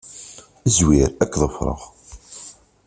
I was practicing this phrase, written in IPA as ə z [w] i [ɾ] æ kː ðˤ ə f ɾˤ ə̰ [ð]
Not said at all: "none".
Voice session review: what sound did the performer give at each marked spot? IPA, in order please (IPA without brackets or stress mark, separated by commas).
w, ɾ, ʁ